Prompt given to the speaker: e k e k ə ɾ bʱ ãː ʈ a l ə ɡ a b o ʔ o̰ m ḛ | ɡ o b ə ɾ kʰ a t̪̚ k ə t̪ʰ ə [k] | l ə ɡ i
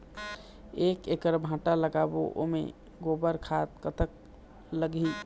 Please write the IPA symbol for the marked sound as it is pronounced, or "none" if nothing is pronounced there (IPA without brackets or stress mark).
k